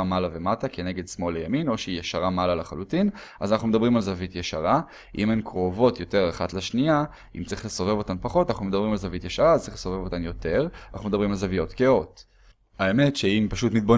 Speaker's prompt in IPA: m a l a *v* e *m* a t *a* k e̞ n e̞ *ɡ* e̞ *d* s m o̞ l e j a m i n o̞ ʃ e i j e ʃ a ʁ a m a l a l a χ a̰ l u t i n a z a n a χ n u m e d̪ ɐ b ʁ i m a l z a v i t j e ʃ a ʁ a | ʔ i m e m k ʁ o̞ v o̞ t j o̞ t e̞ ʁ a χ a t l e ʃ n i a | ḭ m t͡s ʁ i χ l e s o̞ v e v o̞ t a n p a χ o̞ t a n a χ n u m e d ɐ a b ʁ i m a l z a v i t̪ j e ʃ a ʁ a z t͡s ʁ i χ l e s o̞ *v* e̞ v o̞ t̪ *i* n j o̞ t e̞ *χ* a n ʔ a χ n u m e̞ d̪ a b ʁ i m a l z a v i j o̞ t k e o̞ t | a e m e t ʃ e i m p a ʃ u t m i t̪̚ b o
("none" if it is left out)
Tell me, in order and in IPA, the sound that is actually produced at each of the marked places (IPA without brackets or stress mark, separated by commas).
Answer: v, m, a, ɡ, d, v, a, ʁ